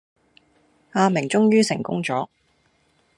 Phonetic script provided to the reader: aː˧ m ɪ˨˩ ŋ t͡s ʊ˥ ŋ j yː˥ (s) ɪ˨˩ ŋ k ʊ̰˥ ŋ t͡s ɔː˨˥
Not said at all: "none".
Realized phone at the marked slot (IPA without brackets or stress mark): s